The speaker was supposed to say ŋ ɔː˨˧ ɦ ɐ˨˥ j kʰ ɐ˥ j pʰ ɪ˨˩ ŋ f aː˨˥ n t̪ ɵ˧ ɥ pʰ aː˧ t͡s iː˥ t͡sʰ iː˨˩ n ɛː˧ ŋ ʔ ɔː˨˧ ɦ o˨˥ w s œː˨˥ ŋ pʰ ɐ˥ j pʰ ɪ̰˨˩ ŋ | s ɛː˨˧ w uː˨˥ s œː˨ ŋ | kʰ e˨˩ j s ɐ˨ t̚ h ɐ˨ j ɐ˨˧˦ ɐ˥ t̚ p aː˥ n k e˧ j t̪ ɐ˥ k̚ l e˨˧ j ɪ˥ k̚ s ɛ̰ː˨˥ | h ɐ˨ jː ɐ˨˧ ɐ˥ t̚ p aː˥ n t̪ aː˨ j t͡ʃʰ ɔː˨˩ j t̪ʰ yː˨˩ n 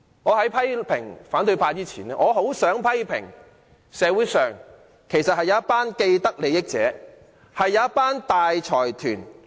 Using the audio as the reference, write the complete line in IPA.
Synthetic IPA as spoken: ŋ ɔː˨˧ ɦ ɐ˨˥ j pʰ ɐ˥ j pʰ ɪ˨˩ ŋ f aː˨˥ n t̪ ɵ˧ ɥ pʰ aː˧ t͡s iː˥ t͡sʰ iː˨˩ n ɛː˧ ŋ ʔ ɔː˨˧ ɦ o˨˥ w s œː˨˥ ŋ pʰ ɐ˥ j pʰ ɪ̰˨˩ ŋ | s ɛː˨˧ w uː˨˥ s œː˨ ŋ | kʰ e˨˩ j s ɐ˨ t̚ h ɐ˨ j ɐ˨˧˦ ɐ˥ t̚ p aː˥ n k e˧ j t̪ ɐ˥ k̚ l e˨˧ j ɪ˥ k̚ t͡s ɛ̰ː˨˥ | h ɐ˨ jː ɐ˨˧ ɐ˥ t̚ p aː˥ n t̪ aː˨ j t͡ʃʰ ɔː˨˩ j t̪ʰ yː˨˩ n